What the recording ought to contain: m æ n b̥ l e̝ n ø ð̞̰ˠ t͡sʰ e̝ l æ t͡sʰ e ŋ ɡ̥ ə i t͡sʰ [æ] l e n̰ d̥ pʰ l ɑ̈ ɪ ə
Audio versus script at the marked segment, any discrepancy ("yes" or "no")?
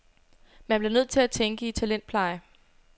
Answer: no